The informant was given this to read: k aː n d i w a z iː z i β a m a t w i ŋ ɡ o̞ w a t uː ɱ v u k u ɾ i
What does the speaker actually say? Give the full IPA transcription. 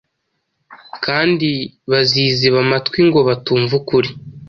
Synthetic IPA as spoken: k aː n d i β a z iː z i β a m a t w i ŋ ɡ o̞ β a t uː ɱ v u k u ɾ i